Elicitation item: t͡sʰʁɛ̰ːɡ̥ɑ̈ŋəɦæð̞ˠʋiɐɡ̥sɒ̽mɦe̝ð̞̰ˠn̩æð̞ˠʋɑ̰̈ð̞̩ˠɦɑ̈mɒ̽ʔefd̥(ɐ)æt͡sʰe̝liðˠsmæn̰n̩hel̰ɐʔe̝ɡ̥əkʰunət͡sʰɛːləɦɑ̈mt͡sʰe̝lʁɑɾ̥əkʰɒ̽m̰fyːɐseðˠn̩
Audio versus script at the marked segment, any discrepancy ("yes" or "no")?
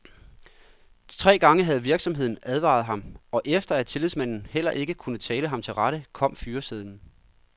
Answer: no